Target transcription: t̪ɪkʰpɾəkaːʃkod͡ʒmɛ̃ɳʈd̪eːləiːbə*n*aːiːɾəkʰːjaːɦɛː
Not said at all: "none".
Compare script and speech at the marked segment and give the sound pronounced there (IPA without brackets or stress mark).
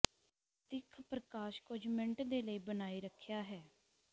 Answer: n